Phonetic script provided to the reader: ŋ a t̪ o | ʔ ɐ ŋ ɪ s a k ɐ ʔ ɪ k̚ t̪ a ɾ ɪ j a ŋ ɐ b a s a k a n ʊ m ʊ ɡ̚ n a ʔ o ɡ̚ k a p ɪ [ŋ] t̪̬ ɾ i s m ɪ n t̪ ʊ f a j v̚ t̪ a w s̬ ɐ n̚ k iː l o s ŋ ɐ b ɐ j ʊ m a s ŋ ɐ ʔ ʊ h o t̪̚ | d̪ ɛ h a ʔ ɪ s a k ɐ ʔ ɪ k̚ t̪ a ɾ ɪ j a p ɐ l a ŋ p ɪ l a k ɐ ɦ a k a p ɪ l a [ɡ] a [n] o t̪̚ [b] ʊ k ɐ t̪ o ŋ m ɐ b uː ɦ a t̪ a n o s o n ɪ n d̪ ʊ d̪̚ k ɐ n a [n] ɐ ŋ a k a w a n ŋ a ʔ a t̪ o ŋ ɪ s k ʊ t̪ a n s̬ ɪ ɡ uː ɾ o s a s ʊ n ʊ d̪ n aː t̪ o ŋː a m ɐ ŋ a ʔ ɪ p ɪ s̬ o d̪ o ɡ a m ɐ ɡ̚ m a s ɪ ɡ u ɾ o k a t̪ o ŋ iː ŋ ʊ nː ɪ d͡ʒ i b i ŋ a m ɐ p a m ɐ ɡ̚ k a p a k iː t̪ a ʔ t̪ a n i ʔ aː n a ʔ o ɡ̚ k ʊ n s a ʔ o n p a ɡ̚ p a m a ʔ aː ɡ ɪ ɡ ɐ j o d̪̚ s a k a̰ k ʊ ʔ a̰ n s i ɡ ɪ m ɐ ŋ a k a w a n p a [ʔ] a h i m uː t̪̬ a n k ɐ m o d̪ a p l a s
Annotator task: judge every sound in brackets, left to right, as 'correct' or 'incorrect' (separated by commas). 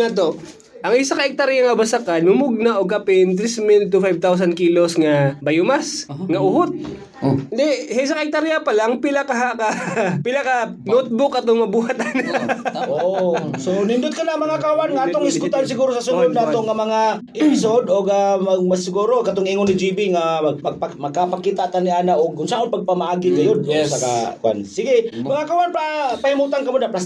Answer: incorrect, incorrect, correct, correct, incorrect, incorrect